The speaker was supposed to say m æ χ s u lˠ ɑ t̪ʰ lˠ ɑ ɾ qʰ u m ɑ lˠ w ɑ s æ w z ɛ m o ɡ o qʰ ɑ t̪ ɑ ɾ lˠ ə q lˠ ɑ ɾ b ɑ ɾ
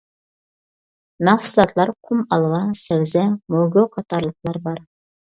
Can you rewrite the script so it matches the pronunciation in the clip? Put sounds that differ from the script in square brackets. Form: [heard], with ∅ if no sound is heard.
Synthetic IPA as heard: m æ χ s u lˠ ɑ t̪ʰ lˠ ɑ ɾ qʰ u m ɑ lˠ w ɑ s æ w z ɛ m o ɡ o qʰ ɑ t̪ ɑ ɾ lˠ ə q lˠ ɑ ɾ b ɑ ɾ